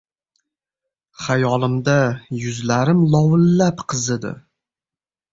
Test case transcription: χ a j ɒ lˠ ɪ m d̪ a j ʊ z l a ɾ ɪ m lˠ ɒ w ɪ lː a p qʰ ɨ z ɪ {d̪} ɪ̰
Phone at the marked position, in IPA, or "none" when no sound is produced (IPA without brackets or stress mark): d̪